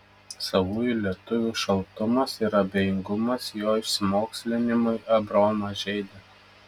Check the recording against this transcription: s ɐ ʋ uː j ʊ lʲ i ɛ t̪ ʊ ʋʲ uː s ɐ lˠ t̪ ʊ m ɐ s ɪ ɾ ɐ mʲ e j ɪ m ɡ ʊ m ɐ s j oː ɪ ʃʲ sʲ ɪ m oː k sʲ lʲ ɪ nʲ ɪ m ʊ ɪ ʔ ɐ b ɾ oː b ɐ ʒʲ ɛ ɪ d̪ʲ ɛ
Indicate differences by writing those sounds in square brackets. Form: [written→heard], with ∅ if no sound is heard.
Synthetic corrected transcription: s ɐ ʋ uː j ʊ lʲ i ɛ t̪ ʊ ʋʲ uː [s→ʃ] ɐ lˠ t̪ ʊ m ɐ s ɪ ɾ ɐ [mʲ→bʲ] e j ɪ [m→ŋ] ɡ ʊ m ɐ s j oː ɪ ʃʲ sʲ ɪ m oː k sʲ lʲ ɪ nʲ ɪ m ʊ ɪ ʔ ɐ b ɾ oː [b→m] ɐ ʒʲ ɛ ɪ d̪ʲ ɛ